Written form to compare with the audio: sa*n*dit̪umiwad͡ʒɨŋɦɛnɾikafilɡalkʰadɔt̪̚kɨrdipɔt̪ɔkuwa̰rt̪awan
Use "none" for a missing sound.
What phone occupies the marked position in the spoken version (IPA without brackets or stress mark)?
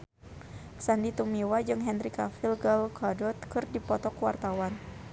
n